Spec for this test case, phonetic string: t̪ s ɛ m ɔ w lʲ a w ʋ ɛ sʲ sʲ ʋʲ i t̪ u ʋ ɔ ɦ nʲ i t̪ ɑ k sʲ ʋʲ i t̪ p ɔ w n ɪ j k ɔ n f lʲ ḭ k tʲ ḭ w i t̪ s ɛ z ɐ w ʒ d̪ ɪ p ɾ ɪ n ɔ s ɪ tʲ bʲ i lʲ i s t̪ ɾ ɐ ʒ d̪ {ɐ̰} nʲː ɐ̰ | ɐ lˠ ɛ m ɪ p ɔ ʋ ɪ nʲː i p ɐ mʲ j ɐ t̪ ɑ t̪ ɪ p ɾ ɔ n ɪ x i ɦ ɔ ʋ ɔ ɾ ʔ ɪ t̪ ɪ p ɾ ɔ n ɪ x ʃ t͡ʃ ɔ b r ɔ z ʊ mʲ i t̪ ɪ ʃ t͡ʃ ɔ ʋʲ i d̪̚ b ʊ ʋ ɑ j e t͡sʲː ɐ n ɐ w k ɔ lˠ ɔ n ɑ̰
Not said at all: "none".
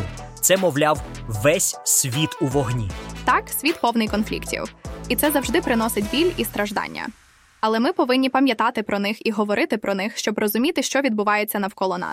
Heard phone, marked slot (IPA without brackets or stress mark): ɑ̰